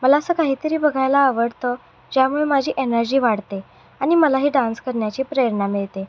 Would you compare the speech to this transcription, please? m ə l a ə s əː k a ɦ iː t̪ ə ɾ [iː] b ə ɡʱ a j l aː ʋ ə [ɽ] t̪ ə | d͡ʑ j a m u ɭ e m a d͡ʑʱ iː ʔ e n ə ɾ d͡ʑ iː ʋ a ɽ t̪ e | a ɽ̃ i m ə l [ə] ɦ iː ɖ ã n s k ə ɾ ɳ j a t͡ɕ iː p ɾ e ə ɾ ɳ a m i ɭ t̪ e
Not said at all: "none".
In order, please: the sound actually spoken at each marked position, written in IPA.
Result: iː, ɽ, a

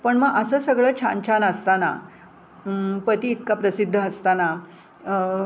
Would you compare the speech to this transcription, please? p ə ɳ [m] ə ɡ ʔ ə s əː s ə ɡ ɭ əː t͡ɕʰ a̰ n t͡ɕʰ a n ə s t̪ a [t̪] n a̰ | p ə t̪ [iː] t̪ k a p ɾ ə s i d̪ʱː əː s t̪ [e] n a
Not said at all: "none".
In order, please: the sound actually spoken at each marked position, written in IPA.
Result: m, none, iː, a

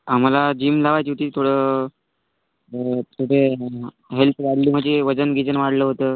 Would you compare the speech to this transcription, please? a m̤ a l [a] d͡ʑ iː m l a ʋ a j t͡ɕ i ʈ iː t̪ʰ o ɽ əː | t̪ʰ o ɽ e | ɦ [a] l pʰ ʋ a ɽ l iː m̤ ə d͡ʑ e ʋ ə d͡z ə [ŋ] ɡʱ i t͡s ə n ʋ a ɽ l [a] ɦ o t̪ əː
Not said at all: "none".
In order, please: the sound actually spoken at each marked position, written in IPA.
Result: a, e, n, ə

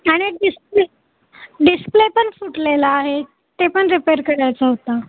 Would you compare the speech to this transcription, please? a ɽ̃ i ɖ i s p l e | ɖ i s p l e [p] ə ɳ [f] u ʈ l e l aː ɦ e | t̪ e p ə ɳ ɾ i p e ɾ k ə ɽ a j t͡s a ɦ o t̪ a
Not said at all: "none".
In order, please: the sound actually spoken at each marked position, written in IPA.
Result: p, f

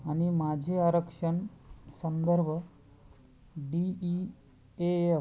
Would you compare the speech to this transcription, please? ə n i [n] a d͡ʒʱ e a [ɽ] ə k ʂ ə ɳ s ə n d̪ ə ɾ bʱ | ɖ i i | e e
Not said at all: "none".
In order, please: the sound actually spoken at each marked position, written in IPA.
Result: m, ɾ

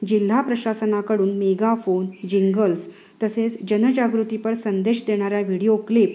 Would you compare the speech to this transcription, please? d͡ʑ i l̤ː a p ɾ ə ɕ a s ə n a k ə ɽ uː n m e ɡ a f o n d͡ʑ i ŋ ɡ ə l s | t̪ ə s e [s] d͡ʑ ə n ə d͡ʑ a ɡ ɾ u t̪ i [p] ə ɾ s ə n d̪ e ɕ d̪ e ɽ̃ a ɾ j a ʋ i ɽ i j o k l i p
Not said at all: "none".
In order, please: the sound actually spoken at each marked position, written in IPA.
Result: t͡s, p

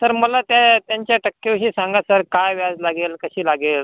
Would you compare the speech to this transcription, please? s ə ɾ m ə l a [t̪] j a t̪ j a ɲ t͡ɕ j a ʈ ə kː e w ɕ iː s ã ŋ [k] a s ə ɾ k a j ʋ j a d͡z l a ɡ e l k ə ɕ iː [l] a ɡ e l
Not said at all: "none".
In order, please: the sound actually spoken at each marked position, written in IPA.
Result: t̪, ɡ, l

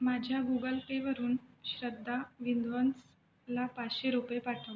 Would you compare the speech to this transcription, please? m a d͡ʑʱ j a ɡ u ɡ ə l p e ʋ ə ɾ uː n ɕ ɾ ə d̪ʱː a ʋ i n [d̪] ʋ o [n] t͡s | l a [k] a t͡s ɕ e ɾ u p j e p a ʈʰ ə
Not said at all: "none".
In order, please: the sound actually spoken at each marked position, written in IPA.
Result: d̪, n, p

